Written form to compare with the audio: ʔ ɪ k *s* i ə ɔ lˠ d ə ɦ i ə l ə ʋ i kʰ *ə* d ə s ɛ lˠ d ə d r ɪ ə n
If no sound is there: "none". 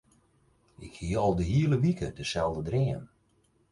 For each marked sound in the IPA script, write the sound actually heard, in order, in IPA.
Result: h, ə

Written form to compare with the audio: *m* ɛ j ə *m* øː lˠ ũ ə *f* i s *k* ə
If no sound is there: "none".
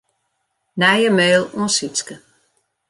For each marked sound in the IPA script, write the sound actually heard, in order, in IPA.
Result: n, m, s, k

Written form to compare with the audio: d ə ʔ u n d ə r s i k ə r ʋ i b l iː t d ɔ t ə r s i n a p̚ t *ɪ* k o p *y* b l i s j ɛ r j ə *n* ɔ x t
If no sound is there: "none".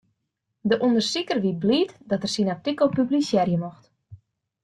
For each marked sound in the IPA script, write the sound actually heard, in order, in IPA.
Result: i, y, m

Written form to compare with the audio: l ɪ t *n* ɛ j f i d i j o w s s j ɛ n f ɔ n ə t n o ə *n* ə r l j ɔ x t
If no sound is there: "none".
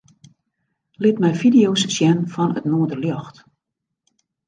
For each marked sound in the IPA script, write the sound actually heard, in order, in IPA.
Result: m, d

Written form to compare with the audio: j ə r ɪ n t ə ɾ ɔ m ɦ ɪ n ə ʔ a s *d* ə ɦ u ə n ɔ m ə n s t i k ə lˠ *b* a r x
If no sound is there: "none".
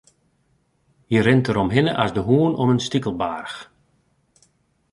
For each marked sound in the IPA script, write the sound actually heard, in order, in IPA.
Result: d, b

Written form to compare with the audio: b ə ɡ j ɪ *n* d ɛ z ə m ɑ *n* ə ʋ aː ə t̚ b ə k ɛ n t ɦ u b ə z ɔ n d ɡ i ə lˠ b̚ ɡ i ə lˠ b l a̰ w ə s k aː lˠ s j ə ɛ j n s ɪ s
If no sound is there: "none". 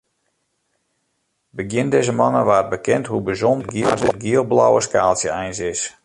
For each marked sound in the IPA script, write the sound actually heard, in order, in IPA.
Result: n, n

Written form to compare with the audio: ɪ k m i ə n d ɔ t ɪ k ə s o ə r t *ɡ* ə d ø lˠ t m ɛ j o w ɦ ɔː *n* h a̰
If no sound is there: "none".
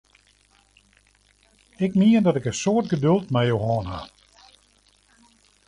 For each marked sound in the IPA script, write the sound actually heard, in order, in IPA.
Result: ɡ, n

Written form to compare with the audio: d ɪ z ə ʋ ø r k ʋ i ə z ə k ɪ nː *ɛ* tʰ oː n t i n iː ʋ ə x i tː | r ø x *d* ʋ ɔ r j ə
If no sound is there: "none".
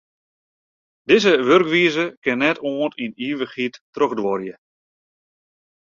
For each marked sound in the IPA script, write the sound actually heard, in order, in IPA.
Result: ɛ, d

